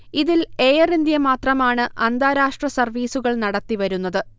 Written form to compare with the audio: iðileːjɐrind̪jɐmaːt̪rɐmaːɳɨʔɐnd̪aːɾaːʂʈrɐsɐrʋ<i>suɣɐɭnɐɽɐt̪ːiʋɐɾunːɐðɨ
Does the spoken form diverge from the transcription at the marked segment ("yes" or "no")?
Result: yes